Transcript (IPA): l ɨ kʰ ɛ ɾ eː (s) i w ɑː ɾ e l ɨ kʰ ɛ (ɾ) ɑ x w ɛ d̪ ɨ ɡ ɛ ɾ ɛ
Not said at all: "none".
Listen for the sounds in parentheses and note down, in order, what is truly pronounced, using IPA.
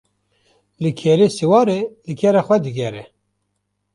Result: s, ɾ

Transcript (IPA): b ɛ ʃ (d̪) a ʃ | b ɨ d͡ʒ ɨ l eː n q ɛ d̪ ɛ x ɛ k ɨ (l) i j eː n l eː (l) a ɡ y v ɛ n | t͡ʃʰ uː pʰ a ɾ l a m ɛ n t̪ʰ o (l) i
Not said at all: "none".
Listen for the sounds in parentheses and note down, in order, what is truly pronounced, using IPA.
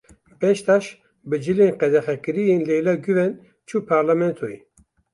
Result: t̪, ɾ, l, none

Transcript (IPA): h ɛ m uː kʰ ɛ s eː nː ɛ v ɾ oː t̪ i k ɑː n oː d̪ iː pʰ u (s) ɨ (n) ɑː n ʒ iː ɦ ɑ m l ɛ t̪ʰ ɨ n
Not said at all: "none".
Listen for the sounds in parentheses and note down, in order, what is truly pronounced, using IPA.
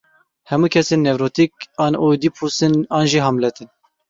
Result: s, n

